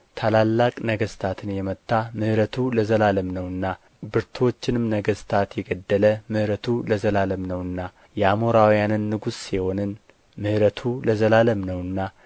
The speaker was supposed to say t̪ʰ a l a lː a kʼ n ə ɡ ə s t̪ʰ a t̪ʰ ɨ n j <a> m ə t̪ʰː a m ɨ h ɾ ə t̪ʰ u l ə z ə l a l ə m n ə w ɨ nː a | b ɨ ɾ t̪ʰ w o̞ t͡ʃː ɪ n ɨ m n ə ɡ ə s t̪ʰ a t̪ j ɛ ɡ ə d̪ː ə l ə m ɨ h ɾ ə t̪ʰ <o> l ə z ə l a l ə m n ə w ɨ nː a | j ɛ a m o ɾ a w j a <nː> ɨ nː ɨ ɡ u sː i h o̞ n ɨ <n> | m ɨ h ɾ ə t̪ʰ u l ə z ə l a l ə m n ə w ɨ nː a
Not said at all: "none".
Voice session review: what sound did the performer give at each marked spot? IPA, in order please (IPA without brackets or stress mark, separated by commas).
ɛ, u, n, n